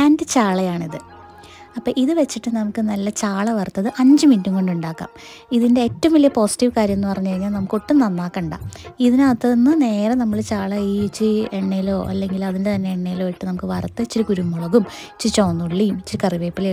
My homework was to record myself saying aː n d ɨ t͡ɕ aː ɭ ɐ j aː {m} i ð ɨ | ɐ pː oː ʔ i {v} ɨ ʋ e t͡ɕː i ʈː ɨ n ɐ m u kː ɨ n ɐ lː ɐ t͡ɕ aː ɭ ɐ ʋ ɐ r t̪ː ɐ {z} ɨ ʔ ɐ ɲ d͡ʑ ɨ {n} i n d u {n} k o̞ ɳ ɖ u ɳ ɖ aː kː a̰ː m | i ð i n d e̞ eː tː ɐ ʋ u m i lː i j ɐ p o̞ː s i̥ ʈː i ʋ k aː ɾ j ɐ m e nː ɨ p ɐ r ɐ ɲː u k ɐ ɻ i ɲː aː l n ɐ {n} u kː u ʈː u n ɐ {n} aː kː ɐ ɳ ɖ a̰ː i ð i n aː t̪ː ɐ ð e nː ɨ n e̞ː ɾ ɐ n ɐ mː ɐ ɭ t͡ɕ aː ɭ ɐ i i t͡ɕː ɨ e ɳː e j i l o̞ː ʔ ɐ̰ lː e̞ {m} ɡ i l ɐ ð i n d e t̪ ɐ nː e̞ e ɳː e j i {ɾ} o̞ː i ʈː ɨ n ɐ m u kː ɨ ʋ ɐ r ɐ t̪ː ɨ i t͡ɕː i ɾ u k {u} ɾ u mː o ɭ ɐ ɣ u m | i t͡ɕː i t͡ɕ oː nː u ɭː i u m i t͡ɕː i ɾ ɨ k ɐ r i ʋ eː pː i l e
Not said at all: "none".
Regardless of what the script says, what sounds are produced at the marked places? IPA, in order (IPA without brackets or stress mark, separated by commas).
ɳ, ð, ð, m, ŋ, m, nː, ŋ, l, u